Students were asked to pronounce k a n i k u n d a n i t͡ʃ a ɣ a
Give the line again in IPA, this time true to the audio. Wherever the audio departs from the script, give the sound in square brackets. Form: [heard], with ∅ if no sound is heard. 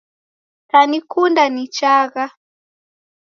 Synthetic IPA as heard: [t] a n i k u n d a n i t͡ʃ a ɣ a